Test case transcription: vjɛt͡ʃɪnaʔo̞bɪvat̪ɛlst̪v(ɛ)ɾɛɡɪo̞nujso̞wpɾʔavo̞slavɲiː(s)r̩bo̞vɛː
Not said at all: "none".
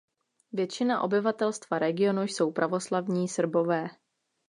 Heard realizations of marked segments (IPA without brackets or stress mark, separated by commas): a, s